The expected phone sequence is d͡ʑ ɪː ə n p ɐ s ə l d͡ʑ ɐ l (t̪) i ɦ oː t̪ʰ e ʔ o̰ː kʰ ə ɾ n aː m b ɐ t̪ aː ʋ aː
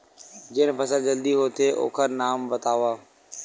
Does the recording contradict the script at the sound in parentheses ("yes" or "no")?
yes